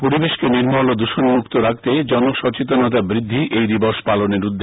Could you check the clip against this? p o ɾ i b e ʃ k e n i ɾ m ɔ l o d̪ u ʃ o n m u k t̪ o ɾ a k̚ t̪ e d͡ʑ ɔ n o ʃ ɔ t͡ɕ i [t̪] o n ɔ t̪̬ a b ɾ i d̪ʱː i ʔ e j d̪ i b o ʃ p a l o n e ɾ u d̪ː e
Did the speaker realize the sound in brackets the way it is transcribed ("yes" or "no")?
yes